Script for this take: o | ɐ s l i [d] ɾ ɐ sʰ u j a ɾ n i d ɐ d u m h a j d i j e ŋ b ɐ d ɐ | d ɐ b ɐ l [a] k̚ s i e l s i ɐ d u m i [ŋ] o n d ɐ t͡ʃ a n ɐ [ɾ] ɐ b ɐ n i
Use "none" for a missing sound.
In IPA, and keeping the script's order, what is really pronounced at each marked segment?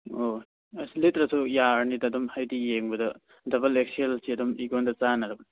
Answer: t, e, ɡ, ɾ

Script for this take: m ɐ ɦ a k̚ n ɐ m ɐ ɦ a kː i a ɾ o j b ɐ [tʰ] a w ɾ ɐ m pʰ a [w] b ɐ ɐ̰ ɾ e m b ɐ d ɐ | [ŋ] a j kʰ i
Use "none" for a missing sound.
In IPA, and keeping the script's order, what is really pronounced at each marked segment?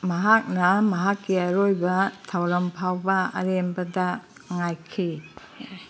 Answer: tʰ, w, ŋ

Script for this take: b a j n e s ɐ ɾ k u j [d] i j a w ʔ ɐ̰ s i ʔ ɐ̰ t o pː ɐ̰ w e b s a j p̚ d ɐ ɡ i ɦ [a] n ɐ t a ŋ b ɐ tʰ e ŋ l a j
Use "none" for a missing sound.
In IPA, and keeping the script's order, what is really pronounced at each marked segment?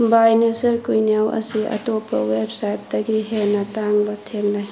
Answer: n, e

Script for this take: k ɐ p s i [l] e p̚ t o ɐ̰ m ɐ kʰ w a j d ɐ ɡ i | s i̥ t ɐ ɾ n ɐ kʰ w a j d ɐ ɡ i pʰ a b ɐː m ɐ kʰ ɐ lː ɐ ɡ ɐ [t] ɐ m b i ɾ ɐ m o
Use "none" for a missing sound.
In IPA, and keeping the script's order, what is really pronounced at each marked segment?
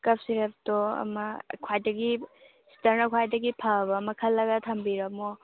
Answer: ɾ, tʰ

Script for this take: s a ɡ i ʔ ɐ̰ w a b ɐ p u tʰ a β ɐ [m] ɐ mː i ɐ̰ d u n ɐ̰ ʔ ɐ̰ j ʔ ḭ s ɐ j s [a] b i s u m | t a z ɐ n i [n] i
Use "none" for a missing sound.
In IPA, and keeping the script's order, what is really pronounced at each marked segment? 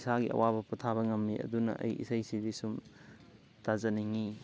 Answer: ŋ, i, ŋ

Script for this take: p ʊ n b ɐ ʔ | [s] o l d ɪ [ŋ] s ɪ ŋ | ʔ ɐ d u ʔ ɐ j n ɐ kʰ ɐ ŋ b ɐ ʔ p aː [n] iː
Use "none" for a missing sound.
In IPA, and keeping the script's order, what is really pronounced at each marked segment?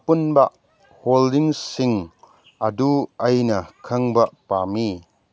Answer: h, ŋ, m

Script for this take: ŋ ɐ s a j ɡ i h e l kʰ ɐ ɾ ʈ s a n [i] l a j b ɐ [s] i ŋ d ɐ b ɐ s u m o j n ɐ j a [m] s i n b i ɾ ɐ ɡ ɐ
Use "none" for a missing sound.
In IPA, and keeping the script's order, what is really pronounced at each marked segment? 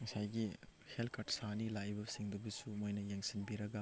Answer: i, s, ŋ

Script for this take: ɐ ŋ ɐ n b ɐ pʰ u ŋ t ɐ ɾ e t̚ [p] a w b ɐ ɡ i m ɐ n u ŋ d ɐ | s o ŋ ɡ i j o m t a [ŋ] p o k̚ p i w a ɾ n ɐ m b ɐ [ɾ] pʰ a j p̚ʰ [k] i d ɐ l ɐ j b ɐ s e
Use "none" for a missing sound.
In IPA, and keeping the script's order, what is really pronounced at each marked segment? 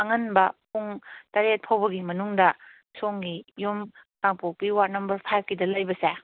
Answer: pʰ, ŋ, ɾ, k

